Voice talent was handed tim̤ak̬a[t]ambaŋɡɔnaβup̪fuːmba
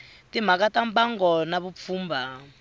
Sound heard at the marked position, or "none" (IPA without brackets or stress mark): t